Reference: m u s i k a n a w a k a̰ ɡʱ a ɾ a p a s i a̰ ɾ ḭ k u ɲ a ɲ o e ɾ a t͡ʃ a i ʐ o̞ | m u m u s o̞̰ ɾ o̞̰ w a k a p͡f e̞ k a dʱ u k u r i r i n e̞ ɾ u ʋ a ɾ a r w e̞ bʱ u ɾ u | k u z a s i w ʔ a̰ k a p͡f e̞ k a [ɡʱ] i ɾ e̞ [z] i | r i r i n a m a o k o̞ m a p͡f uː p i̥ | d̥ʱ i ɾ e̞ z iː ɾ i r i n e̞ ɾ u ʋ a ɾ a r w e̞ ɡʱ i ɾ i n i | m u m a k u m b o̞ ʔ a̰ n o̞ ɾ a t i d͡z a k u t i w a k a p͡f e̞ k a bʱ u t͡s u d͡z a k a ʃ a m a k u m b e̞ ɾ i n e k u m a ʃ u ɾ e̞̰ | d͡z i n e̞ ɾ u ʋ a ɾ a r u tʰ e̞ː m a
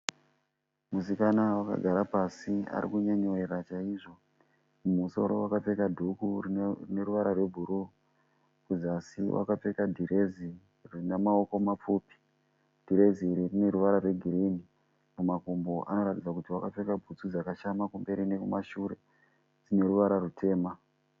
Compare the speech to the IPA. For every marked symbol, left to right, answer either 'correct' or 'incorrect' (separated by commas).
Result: incorrect, correct